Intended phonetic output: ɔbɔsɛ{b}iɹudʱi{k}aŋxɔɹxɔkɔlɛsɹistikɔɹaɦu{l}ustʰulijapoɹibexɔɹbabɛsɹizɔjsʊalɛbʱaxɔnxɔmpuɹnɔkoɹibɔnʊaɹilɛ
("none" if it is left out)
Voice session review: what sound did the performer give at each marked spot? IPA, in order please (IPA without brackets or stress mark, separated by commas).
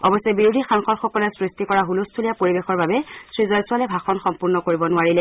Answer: b, x, l